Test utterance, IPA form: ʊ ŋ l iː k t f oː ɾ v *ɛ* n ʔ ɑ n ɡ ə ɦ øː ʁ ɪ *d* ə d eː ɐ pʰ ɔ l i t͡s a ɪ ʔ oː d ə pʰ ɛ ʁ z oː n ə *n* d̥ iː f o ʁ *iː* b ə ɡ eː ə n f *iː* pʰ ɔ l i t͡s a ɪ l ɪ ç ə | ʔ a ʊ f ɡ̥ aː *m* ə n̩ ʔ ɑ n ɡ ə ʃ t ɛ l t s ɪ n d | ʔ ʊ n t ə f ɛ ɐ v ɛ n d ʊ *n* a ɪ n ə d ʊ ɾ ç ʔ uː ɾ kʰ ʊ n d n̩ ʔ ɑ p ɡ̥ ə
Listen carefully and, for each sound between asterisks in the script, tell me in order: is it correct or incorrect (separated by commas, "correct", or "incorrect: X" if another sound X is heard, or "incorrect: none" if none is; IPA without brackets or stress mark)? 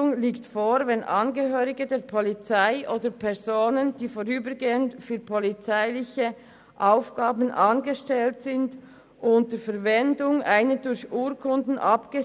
correct, incorrect: ɡ, correct, incorrect: yː, incorrect: yː, incorrect: b, incorrect: ŋ